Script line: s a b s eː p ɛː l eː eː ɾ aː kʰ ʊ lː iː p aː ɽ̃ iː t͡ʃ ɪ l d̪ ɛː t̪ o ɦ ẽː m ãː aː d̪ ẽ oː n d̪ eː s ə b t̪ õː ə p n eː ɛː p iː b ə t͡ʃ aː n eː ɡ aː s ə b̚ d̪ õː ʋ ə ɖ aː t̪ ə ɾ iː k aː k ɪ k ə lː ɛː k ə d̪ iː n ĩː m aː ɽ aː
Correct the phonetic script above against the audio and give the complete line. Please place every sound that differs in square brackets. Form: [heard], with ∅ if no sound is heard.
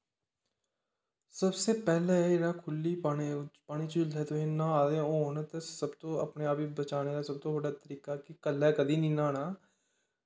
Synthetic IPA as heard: s [ə] b s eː p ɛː l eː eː ɾ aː kʰ ʊ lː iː p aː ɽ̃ iː t͡ʃ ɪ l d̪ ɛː t̪ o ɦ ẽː [n] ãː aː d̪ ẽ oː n [t̪] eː s ə b t̪ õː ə p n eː [aː] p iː b ə t͡ʃ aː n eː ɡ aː s ə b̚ [t̪] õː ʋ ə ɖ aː t̪ ə ɾ iː k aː k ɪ k ə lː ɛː k ə d̪ iː n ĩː [n] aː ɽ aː